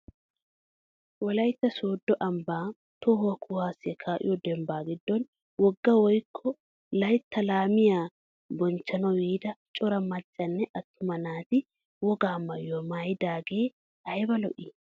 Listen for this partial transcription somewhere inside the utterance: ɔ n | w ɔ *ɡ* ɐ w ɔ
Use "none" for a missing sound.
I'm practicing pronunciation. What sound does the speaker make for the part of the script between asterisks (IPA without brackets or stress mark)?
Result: ɡː